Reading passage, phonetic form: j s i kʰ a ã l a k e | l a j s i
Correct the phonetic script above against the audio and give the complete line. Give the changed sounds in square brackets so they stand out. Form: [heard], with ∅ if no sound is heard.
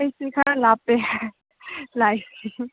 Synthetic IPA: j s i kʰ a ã l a [p] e | l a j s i